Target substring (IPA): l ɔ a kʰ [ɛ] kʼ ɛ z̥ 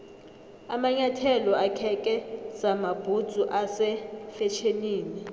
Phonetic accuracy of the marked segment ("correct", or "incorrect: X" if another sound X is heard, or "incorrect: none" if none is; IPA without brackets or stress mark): correct